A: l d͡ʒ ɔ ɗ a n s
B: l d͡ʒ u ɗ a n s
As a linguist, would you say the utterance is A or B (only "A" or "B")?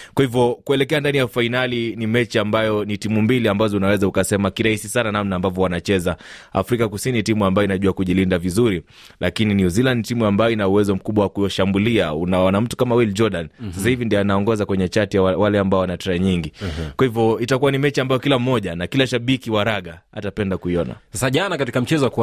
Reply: A